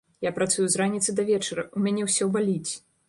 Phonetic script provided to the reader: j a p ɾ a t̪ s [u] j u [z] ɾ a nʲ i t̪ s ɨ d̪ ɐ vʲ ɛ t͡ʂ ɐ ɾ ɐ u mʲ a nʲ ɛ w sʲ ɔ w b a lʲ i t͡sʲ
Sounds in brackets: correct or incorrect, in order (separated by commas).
correct, correct